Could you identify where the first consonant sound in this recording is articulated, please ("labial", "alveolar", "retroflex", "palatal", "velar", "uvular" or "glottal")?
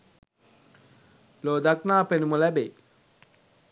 alveolar